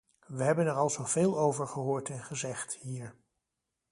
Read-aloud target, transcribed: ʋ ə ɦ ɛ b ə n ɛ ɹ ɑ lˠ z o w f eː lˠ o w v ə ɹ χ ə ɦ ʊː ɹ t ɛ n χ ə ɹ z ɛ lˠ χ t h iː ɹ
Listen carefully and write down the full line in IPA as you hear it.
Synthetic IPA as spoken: ʋ ə ɦ ɛ b ə n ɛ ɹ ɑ lˠ z o w v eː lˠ o w v ə ɹ χ ə ɦ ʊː ɹ t ɛ n χ ə z ɛ χ t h iː ɹ